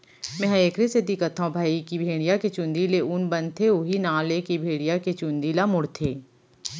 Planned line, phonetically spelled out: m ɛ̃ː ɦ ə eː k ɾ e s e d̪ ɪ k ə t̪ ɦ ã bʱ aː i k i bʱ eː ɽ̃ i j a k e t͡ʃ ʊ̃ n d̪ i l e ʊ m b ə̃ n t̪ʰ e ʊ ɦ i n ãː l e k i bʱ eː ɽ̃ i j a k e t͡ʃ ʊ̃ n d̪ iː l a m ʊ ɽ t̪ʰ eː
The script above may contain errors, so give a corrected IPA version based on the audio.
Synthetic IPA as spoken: m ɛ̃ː ɦ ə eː k ɾ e s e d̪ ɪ k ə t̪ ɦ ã bʱ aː i k i bʱ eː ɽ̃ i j a k e t͡ʃ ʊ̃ n d̪ i l e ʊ n b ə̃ n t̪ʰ e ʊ ɦ i n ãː l e k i bʱ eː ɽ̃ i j a k e t͡ʃ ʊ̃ n d̪ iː l a m ʊ ɽ t̪ʰ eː